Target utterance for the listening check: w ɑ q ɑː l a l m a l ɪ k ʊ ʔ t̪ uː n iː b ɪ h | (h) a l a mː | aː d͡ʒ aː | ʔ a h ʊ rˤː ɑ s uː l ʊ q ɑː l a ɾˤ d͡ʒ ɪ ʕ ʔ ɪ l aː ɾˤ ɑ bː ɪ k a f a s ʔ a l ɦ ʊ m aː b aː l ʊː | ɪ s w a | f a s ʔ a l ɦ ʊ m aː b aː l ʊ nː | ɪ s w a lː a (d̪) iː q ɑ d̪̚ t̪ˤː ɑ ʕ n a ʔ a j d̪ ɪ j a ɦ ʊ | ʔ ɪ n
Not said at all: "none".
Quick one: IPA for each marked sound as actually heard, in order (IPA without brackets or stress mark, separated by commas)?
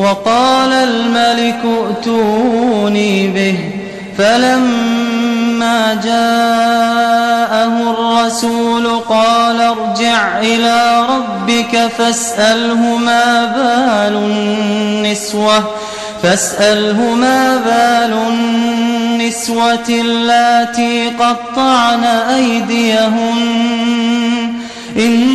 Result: f, t̪